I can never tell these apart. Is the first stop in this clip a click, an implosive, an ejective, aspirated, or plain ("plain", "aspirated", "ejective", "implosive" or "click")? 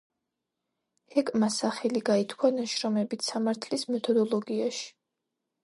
ejective